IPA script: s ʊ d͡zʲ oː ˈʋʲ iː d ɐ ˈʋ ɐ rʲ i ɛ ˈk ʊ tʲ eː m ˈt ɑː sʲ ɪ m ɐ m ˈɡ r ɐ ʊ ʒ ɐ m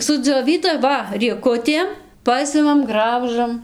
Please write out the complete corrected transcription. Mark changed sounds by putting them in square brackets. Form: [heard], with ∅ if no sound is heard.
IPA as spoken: s ʊ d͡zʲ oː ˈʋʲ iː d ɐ ˈʋ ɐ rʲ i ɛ ˈk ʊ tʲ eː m [ˈp] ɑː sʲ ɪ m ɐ m ˈɡ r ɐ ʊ ʒ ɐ m